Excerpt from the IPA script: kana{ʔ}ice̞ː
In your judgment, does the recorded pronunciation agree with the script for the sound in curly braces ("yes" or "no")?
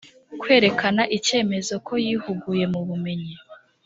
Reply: yes